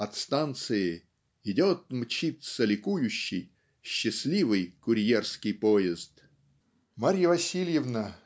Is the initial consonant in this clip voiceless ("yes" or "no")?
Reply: yes